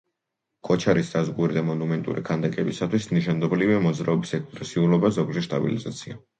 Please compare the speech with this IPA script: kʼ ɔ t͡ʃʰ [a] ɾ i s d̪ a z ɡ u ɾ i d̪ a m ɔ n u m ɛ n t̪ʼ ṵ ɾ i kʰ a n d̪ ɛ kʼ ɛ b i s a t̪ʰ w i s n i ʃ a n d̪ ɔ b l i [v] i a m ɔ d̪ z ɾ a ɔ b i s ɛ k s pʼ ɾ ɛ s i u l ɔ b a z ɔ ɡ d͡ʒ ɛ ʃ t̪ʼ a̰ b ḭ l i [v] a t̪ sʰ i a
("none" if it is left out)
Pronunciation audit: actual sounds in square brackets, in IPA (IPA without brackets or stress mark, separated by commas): a, v, z